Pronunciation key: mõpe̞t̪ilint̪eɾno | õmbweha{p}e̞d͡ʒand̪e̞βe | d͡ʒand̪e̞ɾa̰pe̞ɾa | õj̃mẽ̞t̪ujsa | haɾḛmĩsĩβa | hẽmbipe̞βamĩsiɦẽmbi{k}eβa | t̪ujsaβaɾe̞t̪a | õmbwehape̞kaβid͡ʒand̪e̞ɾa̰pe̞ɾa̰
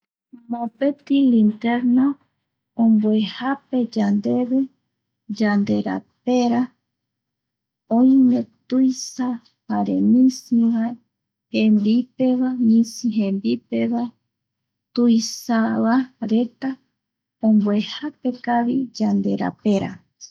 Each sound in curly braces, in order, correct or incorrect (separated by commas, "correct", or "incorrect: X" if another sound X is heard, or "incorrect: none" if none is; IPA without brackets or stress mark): correct, incorrect: p